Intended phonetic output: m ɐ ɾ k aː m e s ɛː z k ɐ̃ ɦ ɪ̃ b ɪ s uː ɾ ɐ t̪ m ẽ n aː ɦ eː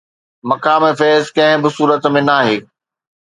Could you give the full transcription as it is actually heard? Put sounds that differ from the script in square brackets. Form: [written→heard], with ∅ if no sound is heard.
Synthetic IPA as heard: m ɐ [ɾ→∅] k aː m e [s→f] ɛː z k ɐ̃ ɦ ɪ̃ b ɪ s uː ɾ [ɐ→ə] t̪ m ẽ n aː ɦ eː